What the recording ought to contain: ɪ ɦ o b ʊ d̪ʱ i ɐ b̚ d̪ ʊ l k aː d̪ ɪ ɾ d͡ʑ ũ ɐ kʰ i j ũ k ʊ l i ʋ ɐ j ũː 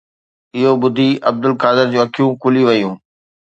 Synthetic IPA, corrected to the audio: ɪ ɦ o b ʊ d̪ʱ i ɐ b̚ d̪ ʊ l k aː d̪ ɪ ɾ d͡ʑ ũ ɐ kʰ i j ũ k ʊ l i ʋ ɐ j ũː